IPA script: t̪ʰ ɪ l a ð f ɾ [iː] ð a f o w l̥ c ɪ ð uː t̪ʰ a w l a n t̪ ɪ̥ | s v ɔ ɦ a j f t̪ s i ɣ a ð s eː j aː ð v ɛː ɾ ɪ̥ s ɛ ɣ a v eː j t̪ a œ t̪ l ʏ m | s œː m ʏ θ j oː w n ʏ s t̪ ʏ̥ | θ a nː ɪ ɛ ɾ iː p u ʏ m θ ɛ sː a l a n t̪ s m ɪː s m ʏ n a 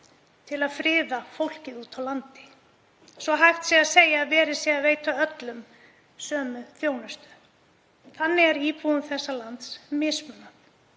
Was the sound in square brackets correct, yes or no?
no